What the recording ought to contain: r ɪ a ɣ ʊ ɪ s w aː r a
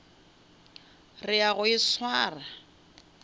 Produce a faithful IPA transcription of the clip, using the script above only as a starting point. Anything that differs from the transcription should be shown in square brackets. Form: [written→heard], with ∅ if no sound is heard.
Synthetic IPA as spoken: r ɪ a ɣ ʊ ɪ s w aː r a